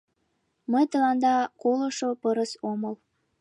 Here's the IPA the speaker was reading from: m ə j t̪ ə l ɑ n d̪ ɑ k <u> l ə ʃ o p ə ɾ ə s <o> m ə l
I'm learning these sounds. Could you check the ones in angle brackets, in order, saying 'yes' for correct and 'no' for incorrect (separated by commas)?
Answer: no, yes